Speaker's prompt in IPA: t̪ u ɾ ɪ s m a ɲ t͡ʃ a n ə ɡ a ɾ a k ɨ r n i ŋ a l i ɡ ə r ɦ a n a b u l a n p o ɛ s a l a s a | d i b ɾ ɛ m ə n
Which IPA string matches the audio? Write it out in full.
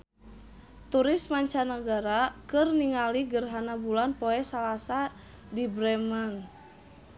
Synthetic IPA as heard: t̪ u ɾ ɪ s m a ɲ t͡ʃ a n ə ɡ a ɾ a k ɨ r n i ŋ a l i ɡ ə r ɦ a n a b u l a n p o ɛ s a l a s a | d i b ɾ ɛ m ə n